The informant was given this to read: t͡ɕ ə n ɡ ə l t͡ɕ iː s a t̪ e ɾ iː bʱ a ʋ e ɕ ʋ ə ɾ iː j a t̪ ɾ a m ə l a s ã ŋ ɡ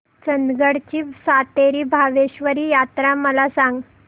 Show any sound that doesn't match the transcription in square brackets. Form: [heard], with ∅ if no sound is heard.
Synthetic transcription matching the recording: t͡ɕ ə n ɡ ə [ɽ] t͡ɕ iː s a t̪ e ɾ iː bʱ a ʋ e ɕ ʋ ə ɾ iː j a t̪ ɾ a m ə l a s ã ŋ ɡ